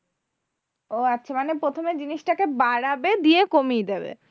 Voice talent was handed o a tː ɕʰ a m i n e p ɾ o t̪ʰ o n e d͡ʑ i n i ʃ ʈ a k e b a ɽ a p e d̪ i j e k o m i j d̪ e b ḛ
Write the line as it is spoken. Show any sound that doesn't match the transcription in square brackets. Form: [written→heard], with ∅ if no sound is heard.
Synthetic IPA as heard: o a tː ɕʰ a m [i→a] n e p ɾ o t̪ʰ o [n→m] e d͡ʑ i n i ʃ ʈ a k e b a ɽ a [p→b] e d̪ i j e k o m i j d̪ e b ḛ